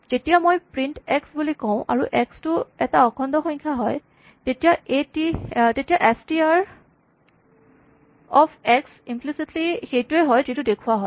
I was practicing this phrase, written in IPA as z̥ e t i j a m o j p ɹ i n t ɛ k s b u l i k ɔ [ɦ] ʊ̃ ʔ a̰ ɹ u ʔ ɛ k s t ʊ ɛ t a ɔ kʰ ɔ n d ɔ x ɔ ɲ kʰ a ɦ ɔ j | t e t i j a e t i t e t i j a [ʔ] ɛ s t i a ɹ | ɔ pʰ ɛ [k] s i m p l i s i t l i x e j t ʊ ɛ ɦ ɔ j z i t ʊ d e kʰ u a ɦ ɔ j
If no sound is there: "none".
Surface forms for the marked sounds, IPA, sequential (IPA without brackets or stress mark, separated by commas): none, ʔ, k